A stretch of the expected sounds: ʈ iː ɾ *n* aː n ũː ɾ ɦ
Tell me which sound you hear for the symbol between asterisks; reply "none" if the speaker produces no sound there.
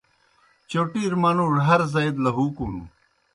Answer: m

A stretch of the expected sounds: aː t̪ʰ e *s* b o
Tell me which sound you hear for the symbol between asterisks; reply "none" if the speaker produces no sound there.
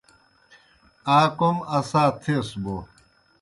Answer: s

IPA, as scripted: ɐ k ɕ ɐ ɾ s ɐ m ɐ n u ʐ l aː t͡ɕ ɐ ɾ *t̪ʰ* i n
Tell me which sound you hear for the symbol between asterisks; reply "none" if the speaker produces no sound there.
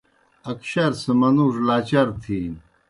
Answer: t̪ʰ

